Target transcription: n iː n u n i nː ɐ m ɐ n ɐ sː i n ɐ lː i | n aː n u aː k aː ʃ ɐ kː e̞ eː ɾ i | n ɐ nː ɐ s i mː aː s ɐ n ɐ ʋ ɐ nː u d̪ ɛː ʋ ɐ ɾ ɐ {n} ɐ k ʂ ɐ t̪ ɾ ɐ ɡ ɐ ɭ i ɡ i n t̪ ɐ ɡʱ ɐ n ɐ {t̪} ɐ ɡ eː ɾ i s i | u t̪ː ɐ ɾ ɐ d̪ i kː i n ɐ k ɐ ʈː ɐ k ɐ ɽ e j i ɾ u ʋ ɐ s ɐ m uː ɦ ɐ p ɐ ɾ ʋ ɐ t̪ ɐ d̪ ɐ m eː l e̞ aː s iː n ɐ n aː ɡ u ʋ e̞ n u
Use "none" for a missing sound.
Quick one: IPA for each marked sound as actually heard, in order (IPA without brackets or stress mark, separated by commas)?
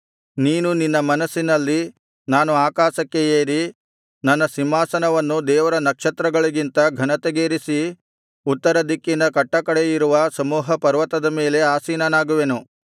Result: n, t̪